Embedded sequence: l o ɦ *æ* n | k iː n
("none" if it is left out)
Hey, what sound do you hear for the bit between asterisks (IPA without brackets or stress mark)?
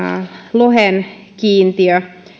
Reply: e